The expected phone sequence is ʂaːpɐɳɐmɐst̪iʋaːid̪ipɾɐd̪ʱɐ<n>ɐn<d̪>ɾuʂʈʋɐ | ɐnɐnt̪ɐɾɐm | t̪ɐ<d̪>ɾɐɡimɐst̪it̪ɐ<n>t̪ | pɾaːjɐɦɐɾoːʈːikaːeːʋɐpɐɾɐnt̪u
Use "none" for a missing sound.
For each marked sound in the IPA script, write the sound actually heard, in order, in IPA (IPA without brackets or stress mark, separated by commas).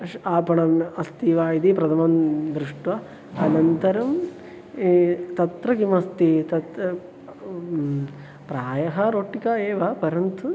m, d̪, t̪, none